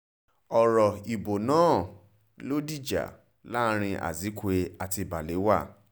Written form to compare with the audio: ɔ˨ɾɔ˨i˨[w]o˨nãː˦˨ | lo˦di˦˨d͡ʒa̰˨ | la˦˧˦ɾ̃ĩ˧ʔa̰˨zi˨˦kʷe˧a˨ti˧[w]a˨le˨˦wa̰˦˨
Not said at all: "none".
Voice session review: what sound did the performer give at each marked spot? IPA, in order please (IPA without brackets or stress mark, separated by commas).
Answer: b, b